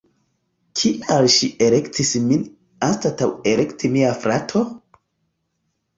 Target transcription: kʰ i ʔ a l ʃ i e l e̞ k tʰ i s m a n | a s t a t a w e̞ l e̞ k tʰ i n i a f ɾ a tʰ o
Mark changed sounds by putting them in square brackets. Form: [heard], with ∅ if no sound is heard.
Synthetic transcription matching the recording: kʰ i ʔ a l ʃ i e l e̞ k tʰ i s m [i] n | a s t a t a w e̞ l e̞ k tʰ i [m] i a f ɾ a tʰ o